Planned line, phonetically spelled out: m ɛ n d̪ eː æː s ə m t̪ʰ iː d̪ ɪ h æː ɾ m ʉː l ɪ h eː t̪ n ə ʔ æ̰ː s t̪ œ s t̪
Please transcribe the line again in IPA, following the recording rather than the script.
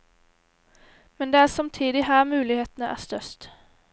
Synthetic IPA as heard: m ɛ n d̪ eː æː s ɑ m t̪ʰ iː d̪ ɪ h æː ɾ m ʉː l ɪ h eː t̪ n ə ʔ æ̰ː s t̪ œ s t̪